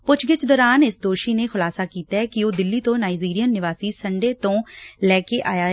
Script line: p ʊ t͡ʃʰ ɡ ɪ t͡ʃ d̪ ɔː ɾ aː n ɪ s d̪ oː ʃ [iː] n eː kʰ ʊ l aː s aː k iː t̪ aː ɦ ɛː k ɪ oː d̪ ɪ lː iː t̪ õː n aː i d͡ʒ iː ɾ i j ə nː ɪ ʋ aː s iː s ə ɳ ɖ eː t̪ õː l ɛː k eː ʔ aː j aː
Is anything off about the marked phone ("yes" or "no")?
no